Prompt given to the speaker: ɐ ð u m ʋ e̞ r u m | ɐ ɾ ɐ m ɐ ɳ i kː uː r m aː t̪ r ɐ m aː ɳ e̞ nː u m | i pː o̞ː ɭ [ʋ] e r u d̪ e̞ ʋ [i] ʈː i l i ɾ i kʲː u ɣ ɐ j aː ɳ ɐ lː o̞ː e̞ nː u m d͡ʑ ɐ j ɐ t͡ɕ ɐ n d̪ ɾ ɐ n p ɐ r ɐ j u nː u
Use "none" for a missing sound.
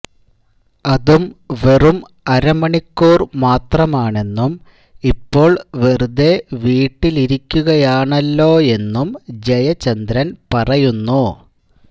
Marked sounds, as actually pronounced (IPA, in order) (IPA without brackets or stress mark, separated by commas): ʋ, iː